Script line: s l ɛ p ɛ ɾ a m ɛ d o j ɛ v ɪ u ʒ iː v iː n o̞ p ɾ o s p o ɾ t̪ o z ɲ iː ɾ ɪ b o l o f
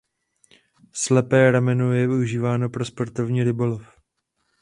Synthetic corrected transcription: s l ɛ p ɛː ɾ a m ɛ n o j ɛ v ɪ u ʒ iː v aː n o̞ p ɾ o s p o ɾ t̪ o v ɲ iː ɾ ɪ b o l o f